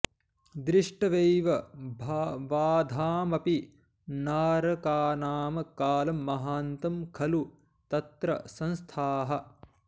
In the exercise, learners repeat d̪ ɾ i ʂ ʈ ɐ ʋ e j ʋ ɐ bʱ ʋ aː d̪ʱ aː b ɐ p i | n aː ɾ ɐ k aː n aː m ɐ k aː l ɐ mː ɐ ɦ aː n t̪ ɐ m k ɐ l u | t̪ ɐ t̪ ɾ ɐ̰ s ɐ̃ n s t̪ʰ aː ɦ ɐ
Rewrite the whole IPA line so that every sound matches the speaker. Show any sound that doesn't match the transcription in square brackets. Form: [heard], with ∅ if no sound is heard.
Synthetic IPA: d̪ ɾ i ʂ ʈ ɐ ʋ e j ʋ ɐ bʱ ʋ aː d̪ʱ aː [m] ɐ p i | n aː ɾ ɐ k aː n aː m ɐ k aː l ɐ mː ɐ ɦ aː n t̪ ɐ m [kʰ] ɐ l u | t̪ ɐ t̪ ɾ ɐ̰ s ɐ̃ n s t̪ʰ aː ɦ ɐ